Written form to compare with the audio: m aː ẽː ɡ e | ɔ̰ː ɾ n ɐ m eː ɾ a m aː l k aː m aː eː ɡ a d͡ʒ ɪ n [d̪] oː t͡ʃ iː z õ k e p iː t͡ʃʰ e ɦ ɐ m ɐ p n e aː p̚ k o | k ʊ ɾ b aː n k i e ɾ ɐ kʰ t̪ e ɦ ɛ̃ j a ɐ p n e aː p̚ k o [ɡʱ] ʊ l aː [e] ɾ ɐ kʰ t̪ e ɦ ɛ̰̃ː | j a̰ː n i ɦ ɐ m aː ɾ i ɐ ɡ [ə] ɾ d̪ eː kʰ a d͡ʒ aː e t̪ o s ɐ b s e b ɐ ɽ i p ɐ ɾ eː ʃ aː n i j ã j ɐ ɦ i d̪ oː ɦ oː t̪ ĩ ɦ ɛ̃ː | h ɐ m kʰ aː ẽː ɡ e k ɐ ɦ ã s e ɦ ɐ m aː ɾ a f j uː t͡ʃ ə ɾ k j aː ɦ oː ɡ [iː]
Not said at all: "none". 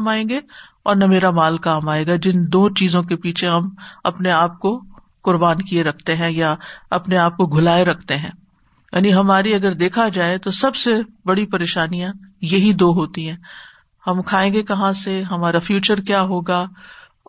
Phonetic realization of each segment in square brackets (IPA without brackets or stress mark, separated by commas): d̪, ɡʱ, e, ə, aː